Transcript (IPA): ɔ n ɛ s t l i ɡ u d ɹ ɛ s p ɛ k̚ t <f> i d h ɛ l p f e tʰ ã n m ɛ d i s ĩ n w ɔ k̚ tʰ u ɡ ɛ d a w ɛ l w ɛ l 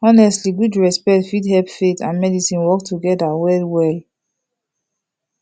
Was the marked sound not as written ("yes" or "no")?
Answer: no